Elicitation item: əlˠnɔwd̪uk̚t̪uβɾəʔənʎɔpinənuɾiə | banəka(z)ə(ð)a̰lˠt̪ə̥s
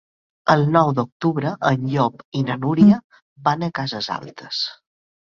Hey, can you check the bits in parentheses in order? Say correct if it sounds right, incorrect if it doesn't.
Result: correct, incorrect: z

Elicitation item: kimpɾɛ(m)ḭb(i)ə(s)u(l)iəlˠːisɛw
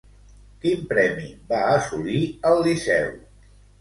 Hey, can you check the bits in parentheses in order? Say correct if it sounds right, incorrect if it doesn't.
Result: correct, incorrect: a, correct, correct

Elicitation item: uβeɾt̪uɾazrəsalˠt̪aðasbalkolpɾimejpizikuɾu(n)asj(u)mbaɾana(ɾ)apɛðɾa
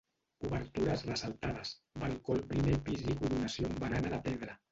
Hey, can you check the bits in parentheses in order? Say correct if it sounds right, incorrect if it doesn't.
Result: correct, incorrect: o, incorrect: l

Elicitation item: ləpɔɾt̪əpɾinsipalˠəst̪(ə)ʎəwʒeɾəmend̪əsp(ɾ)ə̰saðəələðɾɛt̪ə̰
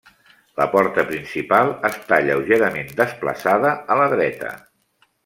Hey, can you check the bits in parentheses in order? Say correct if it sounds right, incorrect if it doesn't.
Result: incorrect: a, incorrect: l

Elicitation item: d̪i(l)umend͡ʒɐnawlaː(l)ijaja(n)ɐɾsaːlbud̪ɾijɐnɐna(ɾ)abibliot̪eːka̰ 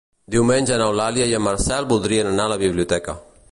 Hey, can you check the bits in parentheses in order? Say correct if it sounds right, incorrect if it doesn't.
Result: incorrect: none, correct, incorrect: m, incorrect: l

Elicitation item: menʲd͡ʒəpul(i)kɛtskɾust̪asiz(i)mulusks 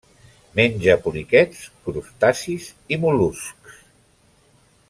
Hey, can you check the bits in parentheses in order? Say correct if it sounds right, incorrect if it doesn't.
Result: correct, correct

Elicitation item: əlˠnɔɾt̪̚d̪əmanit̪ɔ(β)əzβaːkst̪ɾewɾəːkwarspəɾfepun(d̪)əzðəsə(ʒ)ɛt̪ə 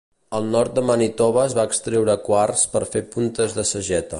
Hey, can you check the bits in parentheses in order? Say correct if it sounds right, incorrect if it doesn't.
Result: correct, incorrect: t̪, correct

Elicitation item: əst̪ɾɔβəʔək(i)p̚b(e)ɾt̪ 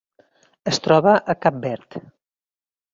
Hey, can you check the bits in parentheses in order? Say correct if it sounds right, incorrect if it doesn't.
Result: incorrect: a, incorrect: ɛ

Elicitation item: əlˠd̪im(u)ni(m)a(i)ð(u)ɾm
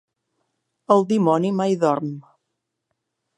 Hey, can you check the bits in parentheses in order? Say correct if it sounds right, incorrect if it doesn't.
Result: incorrect: ɔ, correct, incorrect: j, incorrect: ɔ

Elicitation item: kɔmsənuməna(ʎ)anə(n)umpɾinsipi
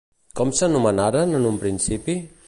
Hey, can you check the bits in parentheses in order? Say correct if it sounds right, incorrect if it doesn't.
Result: incorrect: ɾ, correct

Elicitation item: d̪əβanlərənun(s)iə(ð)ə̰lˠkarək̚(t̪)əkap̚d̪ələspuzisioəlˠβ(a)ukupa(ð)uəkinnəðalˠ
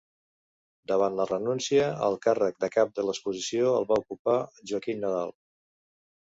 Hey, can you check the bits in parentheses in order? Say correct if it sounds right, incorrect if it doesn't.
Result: correct, incorrect: none, incorrect: d̪, correct, incorrect: ʒ

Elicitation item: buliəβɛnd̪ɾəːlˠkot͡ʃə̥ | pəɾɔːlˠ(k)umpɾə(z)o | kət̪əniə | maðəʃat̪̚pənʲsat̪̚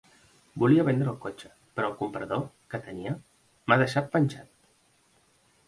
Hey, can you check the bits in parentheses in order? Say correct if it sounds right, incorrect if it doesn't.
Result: correct, incorrect: ð

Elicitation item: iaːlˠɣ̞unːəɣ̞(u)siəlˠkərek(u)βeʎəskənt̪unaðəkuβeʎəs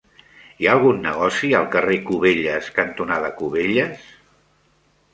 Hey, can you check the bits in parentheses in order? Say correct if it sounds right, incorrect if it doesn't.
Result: incorrect: ɔ, correct

